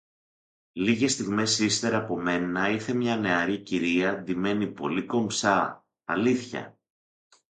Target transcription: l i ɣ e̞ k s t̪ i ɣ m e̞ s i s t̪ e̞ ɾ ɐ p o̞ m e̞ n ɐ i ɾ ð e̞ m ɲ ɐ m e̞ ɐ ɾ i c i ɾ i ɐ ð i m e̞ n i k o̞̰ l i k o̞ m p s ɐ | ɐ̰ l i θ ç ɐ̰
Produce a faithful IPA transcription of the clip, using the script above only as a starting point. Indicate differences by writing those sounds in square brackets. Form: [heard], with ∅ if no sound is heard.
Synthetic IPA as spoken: l i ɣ e̞ [∅] s t̪ i ɣ m e̞ s i s t̪ e̞ ɾ ɐ p o̞ m e̞ n ɐ i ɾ [θ] e̞ m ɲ ɐ [n] e̞ ɐ ɾ i c i ɾ i ɐ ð i m e̞ n i [p] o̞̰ l i k o̞ m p s ɐ | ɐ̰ l i θ ç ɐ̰

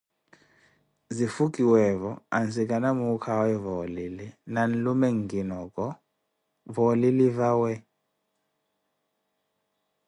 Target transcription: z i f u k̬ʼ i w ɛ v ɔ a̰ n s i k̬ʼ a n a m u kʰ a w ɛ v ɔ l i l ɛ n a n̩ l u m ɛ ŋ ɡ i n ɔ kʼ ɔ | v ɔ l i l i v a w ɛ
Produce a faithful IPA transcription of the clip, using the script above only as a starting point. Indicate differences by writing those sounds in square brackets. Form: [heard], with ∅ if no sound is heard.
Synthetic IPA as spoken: z i f u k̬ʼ i w ɛ v ɔ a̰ n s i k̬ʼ a n a m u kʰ a w ɛ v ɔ l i l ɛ n a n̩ l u m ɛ ŋ ɡ i n ɔ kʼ ɔ | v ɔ l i l i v a w ɛ

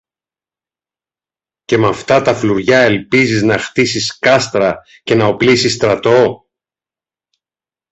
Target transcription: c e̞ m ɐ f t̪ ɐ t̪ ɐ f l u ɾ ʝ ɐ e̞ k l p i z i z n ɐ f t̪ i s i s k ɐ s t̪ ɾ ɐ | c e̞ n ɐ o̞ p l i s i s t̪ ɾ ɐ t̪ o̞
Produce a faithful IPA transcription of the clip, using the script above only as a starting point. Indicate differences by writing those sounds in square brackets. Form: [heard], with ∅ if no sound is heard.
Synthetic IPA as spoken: c e̞ m ɐ f t̪ ɐ t̪ ɐ f l u ɾ ʝ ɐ e̞ [∅] l p i z i z n ɐ [x] t̪ i s i s k ɐ s t̪ ɾ ɐ | c e̞ n ɐ o̞ p l i s i s t̪ ɾ ɐ t̪ o̞

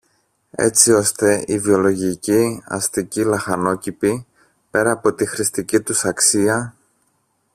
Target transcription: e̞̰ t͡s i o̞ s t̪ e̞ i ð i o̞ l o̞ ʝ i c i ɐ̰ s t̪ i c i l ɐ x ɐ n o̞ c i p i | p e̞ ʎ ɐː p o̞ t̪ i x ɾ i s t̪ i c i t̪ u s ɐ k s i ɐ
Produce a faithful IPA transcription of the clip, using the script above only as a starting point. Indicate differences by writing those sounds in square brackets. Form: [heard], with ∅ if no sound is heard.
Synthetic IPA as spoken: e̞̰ t͡s i o̞ s t̪ e̞ i [v] i o̞ l o̞ ʝ i c i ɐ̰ s t̪ i c i l ɐ x ɐ n o̞ c i p i | p e̞ [ɾ] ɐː p o̞ t̪ i x ɾ i s t̪ i c i t̪ u s ɐ k s i ɐ

